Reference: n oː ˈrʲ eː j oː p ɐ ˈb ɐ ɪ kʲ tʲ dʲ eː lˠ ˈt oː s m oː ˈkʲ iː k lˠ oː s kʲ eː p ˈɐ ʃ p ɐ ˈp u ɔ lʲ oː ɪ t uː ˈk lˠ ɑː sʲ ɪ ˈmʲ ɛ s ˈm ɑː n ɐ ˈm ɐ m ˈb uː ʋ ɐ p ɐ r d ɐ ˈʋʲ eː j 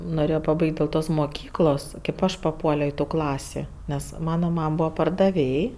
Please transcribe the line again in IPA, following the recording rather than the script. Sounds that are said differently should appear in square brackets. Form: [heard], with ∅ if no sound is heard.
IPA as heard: n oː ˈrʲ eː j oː p ɐ ˈb ɐ ɪ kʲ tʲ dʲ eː lˠ ˈt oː s m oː ˈkʲ iː k lˠ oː s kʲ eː p ˈɐ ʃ p ɐ ˈp u ɔ lʲ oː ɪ t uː ˈk lˠ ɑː sʲ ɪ [ˈnʲ] ɛ s ˈm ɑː n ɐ ˈm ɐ m ˈb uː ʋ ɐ p ɐ r d ɐ ˈʋʲ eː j